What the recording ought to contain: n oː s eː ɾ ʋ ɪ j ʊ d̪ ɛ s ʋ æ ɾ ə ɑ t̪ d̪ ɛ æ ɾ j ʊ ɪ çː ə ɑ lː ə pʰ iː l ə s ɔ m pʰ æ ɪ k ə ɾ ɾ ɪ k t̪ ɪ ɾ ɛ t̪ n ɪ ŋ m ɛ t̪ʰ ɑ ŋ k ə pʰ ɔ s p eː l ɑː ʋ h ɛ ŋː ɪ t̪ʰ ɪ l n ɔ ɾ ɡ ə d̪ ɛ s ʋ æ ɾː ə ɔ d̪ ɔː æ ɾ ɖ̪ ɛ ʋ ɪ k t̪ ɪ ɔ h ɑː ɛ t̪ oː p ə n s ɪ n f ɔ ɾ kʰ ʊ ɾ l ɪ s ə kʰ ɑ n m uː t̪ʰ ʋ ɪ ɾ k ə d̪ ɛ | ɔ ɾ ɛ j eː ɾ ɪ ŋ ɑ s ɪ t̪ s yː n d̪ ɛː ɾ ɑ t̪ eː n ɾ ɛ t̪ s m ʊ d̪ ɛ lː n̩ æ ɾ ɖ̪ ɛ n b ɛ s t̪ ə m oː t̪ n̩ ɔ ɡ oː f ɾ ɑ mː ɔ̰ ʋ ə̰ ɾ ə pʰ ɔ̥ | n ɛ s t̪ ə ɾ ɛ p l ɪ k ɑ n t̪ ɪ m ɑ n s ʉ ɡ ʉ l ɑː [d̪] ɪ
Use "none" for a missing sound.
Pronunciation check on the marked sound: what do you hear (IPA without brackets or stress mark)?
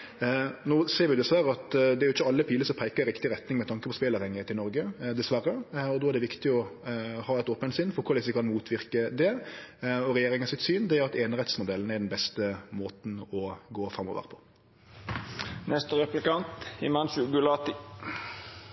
t̪